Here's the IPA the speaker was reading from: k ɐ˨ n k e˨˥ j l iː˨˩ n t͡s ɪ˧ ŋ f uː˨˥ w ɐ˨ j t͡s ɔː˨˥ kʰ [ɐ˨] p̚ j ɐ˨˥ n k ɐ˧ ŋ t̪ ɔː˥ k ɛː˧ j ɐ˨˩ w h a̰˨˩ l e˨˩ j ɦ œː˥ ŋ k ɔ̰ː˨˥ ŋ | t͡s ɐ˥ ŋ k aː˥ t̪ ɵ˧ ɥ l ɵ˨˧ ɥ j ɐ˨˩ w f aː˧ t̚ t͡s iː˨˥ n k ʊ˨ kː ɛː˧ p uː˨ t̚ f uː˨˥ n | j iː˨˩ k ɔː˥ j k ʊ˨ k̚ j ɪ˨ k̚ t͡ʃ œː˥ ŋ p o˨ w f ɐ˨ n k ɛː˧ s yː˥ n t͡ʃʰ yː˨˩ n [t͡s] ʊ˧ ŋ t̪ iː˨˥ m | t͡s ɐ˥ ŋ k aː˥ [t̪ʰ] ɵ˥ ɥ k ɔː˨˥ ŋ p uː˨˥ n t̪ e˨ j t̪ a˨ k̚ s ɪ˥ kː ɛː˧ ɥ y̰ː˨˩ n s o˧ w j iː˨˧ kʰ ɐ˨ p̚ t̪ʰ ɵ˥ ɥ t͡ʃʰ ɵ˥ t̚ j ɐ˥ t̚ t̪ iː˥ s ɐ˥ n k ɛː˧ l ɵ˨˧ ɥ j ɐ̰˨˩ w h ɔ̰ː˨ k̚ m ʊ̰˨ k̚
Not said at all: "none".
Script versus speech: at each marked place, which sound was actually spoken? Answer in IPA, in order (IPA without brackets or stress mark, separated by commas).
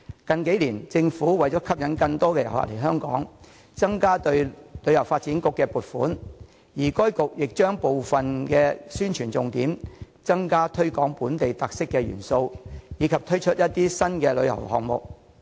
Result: ɐ˥, t͡s, t̪ʰ